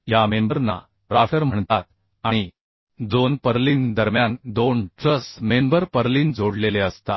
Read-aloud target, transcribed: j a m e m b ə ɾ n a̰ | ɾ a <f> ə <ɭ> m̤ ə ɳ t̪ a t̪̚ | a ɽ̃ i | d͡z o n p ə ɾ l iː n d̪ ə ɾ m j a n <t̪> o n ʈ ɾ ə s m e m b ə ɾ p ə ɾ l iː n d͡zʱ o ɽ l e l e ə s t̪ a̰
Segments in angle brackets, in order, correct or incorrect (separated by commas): correct, incorrect, incorrect